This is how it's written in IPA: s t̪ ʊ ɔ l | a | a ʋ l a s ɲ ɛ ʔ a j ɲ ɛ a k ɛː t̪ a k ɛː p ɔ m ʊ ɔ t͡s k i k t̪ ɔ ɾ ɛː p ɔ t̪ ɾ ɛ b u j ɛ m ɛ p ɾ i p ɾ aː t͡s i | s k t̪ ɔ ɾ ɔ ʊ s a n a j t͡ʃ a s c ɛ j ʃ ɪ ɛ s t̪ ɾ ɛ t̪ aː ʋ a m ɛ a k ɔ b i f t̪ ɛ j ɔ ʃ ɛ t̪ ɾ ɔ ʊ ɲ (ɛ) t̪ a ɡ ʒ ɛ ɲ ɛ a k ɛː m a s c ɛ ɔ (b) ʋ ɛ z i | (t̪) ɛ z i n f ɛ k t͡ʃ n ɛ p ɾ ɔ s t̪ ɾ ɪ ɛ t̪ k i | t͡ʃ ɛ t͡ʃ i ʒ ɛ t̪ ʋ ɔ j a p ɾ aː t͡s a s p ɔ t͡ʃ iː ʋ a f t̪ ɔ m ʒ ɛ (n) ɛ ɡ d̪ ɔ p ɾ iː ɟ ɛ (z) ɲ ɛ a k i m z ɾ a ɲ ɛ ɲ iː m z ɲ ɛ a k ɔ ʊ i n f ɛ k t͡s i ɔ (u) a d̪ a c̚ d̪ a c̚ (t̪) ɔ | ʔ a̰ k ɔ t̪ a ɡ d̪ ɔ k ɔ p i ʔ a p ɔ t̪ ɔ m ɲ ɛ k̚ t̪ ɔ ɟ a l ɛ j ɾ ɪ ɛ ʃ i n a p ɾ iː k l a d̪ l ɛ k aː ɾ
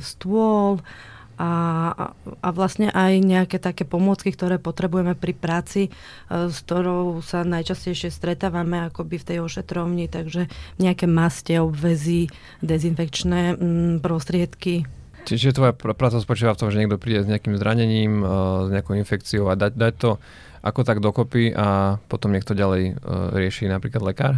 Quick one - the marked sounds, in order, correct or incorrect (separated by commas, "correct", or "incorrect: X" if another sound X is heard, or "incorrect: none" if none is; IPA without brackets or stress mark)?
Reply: incorrect: i, correct, incorrect: d̪, incorrect: ɲ, correct, incorrect: ʊ, correct